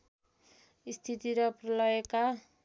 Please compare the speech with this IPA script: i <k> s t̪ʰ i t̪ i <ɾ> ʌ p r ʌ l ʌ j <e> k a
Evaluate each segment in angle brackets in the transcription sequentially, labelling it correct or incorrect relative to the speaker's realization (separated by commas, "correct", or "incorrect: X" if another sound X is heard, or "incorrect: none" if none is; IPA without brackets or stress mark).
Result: incorrect: none, correct, correct